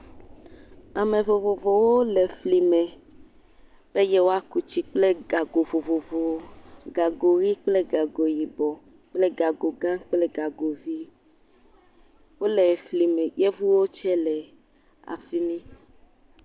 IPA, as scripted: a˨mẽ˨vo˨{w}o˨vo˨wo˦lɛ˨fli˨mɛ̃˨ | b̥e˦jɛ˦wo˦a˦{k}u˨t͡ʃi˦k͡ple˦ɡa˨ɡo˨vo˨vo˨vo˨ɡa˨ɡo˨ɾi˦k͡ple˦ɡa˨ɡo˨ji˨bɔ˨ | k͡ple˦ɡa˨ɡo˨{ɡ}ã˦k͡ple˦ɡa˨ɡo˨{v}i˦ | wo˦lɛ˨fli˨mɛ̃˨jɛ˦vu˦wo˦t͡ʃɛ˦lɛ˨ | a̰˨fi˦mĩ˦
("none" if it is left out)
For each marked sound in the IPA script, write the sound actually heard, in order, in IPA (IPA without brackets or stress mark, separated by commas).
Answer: v, k, ɡ, v